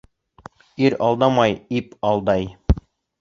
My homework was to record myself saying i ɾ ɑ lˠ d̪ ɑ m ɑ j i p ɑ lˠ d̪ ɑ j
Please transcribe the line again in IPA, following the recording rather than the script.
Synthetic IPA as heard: i ɾ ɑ lˠ d̪ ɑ m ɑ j i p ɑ lˠ d̪ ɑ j